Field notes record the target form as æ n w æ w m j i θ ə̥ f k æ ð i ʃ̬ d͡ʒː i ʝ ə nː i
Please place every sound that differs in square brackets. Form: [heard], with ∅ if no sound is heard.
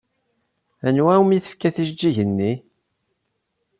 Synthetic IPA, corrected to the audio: æ n w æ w m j i θ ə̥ f k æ [θ] i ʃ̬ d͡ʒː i ʝ ə nː i